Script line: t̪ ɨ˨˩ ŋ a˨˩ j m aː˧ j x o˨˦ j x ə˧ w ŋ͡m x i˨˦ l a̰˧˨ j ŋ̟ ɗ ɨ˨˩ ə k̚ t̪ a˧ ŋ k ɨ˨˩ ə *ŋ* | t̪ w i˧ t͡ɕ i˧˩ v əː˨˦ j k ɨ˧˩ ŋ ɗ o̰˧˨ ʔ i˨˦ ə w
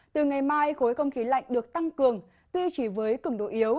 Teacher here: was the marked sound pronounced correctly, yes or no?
yes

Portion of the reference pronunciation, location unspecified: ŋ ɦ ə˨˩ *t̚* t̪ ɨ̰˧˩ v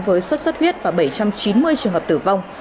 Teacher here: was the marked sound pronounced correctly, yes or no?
no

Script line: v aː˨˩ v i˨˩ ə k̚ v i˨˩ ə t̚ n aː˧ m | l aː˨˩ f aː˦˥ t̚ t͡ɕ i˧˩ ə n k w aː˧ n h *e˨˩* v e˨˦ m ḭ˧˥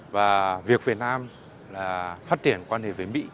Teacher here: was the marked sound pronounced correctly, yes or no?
yes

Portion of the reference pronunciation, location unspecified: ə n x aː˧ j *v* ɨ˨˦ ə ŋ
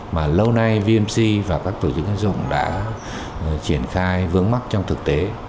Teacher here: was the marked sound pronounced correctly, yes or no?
yes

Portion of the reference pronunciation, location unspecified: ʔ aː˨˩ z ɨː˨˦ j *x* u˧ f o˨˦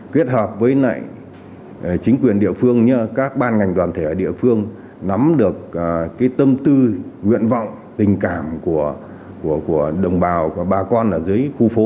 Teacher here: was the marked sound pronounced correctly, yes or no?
yes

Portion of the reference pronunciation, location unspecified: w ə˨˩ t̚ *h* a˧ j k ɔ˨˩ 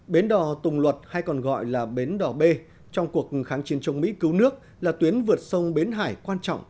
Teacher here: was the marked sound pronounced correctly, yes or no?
yes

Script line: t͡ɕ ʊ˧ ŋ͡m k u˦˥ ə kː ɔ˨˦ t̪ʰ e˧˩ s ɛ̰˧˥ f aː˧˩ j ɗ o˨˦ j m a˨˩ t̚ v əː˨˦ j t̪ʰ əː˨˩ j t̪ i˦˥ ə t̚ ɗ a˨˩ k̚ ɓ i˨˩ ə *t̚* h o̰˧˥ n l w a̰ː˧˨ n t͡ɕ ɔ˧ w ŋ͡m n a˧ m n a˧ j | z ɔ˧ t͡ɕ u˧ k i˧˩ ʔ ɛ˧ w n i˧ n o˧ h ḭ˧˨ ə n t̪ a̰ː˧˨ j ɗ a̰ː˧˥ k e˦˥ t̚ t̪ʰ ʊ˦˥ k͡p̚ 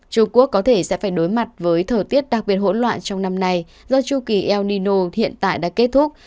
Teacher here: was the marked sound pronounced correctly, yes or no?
yes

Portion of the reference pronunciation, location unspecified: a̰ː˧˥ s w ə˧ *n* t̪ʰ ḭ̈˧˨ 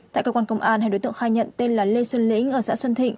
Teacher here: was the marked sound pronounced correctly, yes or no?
yes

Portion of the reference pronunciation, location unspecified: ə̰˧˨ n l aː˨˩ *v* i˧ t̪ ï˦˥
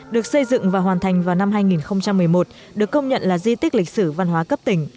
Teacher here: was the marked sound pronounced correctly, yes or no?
no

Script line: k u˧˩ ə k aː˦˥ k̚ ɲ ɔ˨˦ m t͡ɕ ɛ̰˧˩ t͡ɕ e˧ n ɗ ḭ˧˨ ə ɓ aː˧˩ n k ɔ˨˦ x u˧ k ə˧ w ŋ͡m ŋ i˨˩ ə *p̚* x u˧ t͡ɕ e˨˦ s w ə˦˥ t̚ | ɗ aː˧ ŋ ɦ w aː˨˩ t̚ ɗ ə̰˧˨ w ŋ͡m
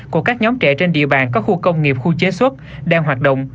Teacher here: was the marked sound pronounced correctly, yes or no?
yes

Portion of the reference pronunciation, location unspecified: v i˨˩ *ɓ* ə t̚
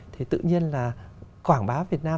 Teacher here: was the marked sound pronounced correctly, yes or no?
no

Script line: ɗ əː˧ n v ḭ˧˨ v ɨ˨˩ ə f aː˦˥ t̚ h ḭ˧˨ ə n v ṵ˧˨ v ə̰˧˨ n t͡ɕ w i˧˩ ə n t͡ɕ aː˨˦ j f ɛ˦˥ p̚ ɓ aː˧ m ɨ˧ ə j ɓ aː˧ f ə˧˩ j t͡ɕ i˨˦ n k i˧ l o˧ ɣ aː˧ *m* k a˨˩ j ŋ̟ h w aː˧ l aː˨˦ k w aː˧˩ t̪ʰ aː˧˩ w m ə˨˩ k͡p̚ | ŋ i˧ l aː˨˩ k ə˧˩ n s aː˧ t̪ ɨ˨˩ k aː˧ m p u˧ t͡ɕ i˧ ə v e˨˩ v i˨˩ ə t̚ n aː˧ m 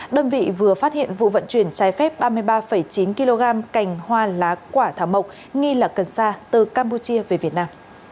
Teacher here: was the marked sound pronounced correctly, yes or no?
yes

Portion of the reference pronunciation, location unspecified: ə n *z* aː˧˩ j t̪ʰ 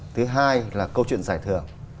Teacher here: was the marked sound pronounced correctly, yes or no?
yes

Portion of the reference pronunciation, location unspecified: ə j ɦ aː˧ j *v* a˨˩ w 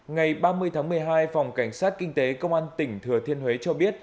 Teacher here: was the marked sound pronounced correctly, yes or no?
no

